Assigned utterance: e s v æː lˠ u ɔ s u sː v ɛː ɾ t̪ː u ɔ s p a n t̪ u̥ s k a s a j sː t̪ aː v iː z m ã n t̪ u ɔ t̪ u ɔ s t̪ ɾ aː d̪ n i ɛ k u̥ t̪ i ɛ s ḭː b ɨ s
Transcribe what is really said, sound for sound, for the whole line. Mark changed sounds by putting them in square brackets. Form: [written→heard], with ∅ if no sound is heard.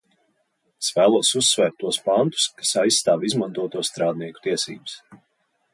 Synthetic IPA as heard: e s v æː lˠ u ɔ s u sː v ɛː ɾ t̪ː u ɔ s p a n t̪ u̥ s k a s a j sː t̪ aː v [iː→i] z m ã n t̪ u ɔ t̪ u ɔ s t̪ ɾ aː d̪ n i ɛ k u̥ t̪ i ɛ s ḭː b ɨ s